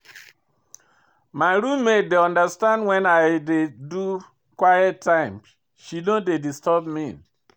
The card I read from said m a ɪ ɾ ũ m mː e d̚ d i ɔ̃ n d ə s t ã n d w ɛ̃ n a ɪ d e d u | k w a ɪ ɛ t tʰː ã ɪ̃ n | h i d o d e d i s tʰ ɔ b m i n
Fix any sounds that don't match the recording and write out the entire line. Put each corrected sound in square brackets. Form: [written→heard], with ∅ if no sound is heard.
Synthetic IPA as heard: m a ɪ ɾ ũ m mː e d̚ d [i→e] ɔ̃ n d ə s t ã n d w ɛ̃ n a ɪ d e d u | k w a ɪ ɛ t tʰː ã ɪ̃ [n→m] | [h→ʃ] i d o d e d i s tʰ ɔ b m i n